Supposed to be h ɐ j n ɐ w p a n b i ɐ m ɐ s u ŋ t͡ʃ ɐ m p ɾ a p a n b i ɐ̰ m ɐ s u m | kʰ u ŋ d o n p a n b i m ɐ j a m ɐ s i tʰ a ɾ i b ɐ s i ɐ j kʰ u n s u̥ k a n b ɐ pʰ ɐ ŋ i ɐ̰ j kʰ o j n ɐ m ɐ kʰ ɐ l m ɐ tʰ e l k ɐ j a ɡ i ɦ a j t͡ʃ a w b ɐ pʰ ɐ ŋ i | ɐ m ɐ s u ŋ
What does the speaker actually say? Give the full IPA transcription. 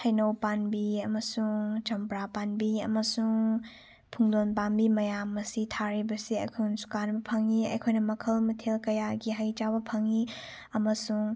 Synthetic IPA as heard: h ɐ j n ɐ w p a n b i ɐ m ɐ s u ŋ t͡ʃ ɐ m p ɾ a p a n b i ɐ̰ m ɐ s u ŋ | pʰ u ŋ d o n p a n b i m ɐ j a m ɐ s i tʰ a ɾ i b ɐ s i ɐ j kʰ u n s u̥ k a n b ɐ pʰ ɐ ŋ i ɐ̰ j kʰ o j n ɐ m ɐ kʰ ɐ l m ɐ tʰ e l k ɐ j a ɡ i ɦ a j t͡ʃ a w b ɐ pʰ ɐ ŋ i | ɐ m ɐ s u ŋ